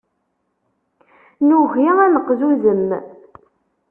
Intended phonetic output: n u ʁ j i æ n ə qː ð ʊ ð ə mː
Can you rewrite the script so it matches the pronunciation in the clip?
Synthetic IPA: n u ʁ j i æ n ə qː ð u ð ə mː